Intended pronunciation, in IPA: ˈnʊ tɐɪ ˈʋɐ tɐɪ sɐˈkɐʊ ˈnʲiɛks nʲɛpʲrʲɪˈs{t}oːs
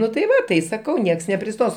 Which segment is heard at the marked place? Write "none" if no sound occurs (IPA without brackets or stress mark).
t